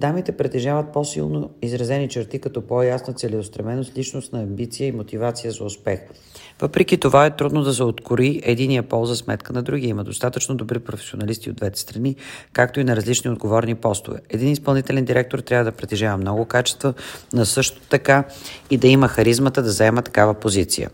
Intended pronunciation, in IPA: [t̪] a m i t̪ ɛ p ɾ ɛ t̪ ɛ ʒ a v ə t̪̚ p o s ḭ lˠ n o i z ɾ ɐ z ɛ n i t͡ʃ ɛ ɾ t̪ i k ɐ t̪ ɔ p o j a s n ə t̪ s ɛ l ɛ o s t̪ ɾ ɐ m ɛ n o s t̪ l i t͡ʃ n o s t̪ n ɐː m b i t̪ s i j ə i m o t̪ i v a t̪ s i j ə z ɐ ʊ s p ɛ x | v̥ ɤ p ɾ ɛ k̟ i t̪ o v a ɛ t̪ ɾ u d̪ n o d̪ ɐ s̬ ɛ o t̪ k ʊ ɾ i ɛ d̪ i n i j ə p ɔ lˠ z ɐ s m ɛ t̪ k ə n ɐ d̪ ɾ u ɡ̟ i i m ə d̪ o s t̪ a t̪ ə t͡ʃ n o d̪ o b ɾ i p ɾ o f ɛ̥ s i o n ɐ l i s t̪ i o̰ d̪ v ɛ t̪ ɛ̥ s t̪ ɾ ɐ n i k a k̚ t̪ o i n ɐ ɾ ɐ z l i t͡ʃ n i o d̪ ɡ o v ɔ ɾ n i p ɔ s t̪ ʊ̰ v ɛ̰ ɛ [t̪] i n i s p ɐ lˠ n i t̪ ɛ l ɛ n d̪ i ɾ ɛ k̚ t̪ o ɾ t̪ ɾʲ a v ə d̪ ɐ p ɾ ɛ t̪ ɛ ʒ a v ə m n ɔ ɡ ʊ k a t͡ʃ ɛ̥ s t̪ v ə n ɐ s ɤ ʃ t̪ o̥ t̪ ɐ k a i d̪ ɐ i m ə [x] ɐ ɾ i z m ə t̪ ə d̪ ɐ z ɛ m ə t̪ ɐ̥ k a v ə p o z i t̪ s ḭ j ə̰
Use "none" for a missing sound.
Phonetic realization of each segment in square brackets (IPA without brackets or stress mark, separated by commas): d̪, d̪, x